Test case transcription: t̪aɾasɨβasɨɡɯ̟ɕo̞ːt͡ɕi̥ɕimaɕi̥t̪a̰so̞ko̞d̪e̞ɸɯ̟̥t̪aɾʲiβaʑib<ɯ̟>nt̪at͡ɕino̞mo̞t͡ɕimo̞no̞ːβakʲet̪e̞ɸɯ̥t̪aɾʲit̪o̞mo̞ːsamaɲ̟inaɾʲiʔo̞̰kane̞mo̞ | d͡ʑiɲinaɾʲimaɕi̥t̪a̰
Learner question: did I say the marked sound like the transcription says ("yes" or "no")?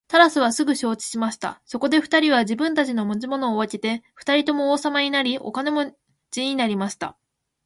no